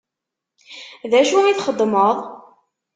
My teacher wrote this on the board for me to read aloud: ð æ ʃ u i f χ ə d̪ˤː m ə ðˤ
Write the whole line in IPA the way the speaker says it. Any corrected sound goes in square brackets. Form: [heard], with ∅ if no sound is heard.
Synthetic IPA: ð æ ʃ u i [θ] χ ə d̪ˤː m ə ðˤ